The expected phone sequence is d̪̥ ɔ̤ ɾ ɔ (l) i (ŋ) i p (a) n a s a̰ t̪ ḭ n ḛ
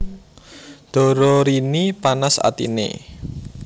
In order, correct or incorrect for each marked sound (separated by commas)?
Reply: incorrect, incorrect, correct